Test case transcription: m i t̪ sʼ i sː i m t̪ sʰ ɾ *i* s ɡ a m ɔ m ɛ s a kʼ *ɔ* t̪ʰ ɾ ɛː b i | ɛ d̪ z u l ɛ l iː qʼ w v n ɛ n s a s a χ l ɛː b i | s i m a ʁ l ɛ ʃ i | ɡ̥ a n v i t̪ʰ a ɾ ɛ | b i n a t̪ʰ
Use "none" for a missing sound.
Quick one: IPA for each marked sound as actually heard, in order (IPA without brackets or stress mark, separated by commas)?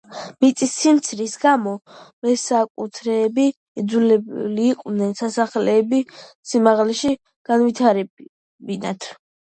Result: i, u